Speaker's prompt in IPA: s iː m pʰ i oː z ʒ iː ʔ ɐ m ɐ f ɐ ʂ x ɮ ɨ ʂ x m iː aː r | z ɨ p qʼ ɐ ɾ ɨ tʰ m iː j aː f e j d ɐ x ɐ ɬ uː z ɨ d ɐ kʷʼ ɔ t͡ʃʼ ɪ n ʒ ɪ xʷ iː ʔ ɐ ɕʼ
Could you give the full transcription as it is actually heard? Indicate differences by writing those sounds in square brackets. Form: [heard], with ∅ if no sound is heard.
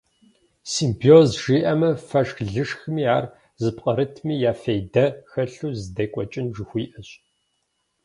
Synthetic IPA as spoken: s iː m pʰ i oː z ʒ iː ʔ ɐ m ɐ f ɐ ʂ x ɮ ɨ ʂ x m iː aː r | z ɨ p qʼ ɐ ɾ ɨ tʰ m iː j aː f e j d ɐ x ɐ ɬ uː z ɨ d ɐ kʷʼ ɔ t͡ʃʼ ɪ n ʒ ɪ xʷ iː ʔ ɐ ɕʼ